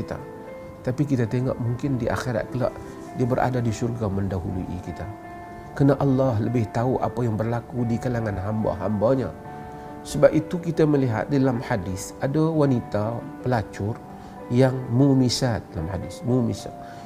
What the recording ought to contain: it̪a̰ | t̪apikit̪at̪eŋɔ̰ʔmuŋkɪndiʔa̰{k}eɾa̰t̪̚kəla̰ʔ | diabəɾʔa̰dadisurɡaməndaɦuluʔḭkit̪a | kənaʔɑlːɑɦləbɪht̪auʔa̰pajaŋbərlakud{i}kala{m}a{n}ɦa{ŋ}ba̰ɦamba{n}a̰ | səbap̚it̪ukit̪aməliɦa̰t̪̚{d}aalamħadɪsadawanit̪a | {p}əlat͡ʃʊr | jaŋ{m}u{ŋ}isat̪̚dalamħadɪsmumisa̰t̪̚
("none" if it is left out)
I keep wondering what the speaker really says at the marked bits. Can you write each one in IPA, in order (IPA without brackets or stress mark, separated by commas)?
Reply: x, i, ŋ, n, m, ɲ, d, p, m, m